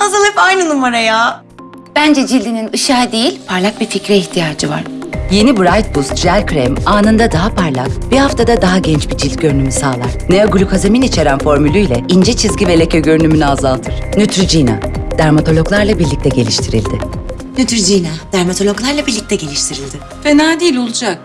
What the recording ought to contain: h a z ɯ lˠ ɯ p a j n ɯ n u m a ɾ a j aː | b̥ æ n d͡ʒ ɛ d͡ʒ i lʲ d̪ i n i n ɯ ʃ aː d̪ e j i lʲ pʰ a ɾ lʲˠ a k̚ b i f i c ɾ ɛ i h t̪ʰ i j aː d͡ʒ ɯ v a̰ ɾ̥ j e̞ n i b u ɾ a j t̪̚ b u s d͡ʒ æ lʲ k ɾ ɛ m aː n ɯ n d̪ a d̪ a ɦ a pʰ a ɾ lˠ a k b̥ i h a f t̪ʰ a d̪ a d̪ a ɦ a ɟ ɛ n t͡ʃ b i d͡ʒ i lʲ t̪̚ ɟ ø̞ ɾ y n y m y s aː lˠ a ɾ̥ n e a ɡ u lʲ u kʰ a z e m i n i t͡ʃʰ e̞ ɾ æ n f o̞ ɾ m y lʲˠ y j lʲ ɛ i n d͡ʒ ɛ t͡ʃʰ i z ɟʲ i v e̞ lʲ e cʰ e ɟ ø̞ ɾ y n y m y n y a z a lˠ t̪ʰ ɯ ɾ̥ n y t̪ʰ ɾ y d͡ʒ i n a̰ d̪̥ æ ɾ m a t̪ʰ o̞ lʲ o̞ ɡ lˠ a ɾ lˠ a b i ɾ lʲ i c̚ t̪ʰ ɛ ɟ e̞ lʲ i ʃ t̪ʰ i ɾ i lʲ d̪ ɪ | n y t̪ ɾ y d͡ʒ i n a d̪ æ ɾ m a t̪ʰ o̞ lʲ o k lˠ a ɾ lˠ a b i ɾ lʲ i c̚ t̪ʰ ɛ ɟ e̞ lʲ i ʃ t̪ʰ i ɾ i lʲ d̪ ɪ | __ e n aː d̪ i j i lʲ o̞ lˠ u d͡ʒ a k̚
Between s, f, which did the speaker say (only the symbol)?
f